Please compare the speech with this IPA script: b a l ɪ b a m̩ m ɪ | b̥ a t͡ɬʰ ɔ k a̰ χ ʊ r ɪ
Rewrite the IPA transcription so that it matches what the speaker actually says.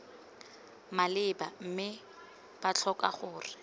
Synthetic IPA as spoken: m a l ɪ b a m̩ m ɪ | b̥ a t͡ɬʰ ɔ k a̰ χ ʊː r ɪ